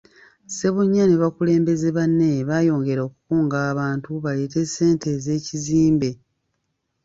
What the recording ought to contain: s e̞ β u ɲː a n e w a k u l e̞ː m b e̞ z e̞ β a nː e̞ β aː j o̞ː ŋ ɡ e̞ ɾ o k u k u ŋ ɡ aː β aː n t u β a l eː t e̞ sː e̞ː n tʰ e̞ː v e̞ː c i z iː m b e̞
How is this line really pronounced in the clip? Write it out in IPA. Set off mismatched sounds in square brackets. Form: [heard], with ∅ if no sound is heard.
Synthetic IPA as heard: s e̞ β u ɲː a n e [β] a k u l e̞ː m b e̞ z e̞ β a nː e̞ β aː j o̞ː ŋ ɡ e̞ ɾ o k u k [uː] ŋ ɡ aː β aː n t u β a l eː t e̞ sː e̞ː n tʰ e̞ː [z] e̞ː c i z iː m b e̞